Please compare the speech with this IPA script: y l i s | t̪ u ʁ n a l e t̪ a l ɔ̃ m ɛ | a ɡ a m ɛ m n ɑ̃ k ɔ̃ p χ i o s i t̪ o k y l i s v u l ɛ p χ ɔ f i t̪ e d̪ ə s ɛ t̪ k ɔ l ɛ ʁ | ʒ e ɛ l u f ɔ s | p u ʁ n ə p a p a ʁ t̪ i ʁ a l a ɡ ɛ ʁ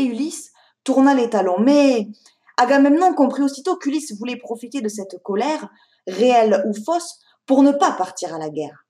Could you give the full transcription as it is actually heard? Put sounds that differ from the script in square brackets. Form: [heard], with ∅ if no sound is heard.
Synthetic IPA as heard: y l i s | t̪ u ʁ n a l e t̪ a l ɔ̃ m ɛ | a ɡ a m ɛ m n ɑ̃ k ɔ̃ p χ i o s i t̪ o k y l i s v u l ɛ p χ ɔ f i t̪ e d̪ ə s ɛ t̪ k ɔ l ɛ ʁ | [ʁ] e ɛ l u f ɔ s | p u ʁ n ə p a p a ʁ t̪ i ʁ a l a ɡ ɛ ʁ